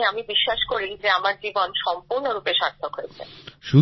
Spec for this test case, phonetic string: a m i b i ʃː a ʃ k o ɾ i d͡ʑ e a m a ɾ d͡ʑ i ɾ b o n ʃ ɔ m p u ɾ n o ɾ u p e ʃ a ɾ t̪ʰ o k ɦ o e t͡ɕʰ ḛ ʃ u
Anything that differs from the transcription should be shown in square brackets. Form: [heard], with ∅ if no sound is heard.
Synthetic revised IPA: a m i b i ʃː a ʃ k o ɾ i d͡ʑ e a m a ɾ d͡ʑ i [∅] b o n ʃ ɔ m p u ɾ n o ɾ u p e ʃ a ɾ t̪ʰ o k ɦ o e t͡ɕʰ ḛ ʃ u